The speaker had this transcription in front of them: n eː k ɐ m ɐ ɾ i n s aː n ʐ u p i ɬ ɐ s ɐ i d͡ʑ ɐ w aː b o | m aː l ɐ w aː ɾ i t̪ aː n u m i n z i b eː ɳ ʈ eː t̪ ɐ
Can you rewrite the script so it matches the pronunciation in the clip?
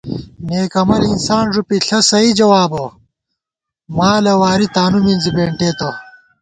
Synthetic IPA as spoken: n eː k ɐ m ɐ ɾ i n s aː n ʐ u p i ɬ ɐ s ɐ i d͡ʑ ɐ w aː b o | m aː l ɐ w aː ɾ i t̪ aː n u m i n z i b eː ɳ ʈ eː t̪ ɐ